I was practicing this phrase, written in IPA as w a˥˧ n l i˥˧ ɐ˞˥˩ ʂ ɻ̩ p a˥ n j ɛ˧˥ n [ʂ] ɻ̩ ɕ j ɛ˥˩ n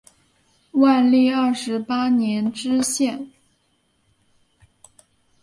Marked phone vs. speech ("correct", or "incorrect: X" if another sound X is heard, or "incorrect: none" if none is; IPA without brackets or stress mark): incorrect: ʈ͡ʂ